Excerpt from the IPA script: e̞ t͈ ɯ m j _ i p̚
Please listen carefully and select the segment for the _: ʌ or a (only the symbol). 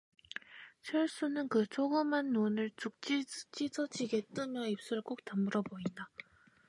ʌ